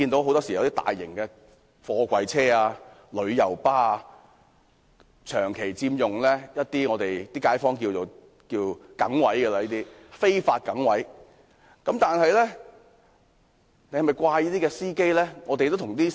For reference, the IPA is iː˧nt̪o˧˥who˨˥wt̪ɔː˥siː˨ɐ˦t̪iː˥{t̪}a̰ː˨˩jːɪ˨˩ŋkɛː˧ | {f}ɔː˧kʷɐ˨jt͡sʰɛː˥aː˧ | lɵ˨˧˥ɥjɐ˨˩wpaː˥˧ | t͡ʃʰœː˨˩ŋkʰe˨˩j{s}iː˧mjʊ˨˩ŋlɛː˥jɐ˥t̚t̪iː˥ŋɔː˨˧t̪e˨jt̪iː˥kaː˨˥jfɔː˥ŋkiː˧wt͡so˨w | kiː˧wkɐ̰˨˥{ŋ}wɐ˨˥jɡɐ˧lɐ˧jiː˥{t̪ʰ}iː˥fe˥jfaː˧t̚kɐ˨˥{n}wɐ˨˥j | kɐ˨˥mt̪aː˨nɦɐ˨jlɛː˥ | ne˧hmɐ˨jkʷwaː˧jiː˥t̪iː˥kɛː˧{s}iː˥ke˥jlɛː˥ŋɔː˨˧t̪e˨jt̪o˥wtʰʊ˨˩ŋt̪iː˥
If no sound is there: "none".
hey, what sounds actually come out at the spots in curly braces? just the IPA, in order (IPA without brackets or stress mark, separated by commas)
t̪, f, t͡s, ŋ, t̪, ŋ, s